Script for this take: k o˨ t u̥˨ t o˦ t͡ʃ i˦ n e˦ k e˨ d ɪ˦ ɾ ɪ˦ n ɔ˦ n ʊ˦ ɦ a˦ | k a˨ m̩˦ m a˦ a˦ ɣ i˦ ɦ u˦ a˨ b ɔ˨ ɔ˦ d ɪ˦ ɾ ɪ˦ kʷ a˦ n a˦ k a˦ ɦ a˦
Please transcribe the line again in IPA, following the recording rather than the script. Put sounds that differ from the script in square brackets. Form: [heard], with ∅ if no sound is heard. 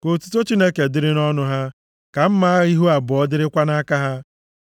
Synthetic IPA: k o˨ t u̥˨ t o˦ t͡ʃ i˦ n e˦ k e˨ d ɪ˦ ɾ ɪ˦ n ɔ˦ n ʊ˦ ɦ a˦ | k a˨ m̩˦ m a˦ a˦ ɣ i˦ ɦ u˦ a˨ b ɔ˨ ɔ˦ d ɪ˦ ɾ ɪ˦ kʷ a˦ n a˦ k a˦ ɦ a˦